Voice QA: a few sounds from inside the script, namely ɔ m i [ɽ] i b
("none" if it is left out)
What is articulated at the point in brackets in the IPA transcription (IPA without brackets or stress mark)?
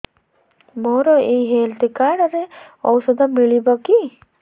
ɭ